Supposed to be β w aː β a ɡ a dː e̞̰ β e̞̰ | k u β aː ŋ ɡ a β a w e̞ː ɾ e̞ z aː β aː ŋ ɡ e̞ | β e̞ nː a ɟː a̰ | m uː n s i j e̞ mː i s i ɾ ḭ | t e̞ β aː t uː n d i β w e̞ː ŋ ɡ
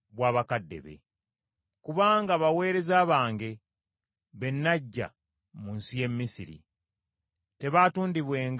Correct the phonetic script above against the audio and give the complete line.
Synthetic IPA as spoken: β w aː β a k a dː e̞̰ β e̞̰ | k u β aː ŋ ɡ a β a w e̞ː ɾ e̞ z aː β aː ŋ ɡ e̞ | β e̞ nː a ɟː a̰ | m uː n s i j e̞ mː i s i ɾ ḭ | t e̞ β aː t uː n d i β w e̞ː ŋ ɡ